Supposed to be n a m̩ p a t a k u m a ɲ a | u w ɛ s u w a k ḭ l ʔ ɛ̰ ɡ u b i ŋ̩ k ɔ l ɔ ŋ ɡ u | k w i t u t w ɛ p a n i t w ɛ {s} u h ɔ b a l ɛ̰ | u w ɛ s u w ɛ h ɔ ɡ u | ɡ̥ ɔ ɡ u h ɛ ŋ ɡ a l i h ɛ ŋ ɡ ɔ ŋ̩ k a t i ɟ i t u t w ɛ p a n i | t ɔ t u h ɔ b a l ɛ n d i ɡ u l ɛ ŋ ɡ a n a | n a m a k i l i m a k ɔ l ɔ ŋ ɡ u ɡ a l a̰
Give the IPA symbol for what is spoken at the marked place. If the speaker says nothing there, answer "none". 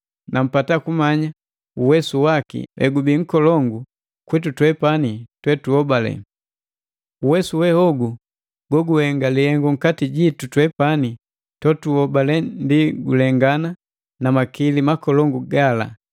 t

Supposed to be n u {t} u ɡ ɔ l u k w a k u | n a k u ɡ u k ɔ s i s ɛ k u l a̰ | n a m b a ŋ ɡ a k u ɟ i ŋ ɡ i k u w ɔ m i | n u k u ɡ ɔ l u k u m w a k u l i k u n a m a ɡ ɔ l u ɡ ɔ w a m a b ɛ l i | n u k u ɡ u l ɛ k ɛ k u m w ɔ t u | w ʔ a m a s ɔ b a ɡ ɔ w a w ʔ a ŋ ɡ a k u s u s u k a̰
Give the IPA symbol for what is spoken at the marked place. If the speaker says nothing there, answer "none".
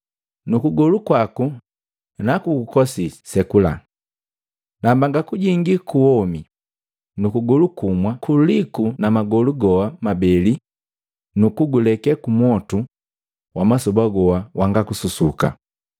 k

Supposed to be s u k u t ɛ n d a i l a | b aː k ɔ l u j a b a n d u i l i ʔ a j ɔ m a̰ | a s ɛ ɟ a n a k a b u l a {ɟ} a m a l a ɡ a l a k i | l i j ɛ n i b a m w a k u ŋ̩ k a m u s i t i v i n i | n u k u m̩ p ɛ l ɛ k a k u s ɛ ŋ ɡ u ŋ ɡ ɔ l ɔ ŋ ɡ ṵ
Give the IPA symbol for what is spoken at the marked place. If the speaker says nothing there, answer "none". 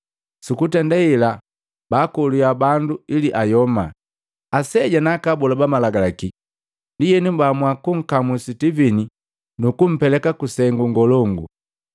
b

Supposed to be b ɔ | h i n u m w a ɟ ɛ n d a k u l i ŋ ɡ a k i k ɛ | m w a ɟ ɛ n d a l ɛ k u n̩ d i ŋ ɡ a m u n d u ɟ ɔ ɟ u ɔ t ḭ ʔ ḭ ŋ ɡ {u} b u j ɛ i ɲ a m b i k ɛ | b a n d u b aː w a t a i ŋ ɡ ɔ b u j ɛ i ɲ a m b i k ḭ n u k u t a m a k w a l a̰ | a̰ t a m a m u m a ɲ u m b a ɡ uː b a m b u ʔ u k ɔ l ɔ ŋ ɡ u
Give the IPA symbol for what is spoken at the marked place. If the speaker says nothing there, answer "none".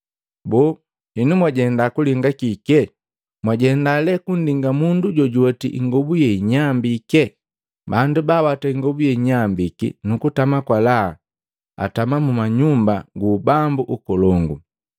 ɔ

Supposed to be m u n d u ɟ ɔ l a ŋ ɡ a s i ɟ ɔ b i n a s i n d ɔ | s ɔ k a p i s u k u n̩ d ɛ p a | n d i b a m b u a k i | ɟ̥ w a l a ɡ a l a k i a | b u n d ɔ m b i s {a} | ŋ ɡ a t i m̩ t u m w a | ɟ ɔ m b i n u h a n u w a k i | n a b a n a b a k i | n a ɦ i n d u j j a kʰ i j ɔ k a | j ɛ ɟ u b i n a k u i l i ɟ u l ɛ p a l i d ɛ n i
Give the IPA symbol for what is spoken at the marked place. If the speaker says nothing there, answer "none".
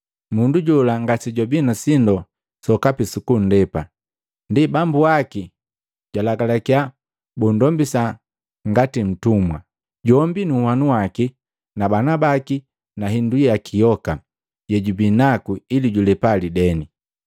a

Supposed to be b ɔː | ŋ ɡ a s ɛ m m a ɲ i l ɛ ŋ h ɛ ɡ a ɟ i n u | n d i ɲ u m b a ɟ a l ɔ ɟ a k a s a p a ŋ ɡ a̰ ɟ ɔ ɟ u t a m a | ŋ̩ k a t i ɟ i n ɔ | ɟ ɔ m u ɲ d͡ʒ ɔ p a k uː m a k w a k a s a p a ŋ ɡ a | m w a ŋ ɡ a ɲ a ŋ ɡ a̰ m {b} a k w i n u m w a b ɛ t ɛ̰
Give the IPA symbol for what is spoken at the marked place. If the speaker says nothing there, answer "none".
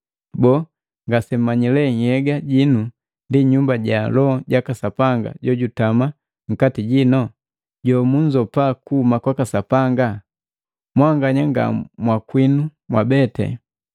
w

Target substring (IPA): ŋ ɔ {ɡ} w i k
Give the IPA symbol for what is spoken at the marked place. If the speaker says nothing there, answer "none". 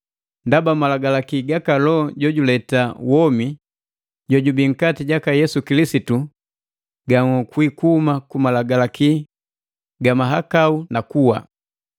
k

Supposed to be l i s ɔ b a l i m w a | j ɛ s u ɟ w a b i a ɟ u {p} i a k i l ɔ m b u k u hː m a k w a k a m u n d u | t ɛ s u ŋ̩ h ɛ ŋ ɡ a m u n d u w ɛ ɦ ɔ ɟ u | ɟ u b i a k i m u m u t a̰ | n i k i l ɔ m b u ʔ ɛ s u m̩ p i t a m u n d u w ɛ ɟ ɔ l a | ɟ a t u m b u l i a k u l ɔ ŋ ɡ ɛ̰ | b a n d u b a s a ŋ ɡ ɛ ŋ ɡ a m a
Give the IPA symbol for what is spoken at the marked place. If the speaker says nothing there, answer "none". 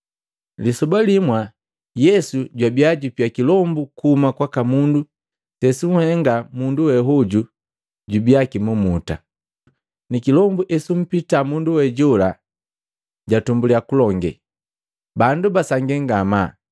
p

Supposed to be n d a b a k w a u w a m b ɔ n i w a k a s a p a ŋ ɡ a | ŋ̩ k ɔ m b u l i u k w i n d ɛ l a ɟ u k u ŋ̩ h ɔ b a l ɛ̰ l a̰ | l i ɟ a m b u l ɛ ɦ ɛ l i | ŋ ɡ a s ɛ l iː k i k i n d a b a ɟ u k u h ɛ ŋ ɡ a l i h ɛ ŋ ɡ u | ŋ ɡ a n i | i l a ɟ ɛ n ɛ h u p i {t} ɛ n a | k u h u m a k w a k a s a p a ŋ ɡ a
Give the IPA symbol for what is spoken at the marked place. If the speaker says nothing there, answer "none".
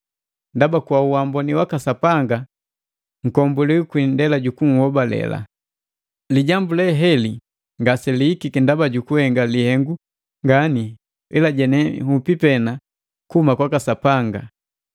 p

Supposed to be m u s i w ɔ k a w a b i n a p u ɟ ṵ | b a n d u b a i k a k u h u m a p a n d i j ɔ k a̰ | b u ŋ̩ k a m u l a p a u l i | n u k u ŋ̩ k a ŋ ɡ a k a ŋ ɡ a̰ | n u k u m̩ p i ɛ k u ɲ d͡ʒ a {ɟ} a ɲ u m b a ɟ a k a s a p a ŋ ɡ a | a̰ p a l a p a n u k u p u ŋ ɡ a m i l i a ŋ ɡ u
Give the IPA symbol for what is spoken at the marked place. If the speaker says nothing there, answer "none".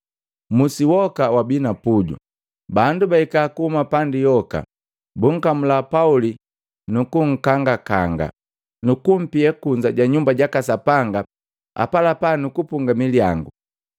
ɟ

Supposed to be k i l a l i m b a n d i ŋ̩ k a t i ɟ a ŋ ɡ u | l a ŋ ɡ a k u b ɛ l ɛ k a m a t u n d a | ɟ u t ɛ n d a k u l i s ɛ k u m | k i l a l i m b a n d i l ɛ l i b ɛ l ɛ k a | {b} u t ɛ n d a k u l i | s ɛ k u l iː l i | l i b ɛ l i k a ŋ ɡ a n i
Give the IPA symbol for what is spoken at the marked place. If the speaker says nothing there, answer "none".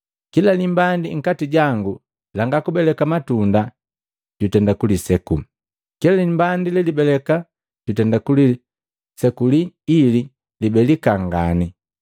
ɟ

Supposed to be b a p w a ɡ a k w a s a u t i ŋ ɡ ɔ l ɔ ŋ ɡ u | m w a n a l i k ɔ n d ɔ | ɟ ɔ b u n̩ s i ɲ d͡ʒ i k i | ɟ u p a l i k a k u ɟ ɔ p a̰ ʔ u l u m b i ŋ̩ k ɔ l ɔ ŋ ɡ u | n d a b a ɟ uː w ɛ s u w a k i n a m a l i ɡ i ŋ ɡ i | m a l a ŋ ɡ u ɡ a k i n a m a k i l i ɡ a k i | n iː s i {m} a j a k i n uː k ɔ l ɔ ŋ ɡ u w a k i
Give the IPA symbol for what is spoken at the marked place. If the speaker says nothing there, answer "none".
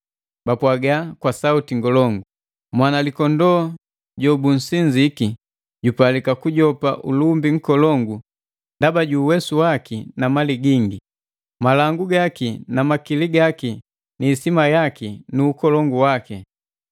m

